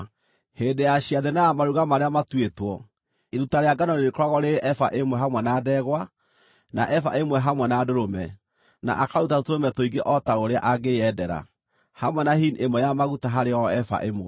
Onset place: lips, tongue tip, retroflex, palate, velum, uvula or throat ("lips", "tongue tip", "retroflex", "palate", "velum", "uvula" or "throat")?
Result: throat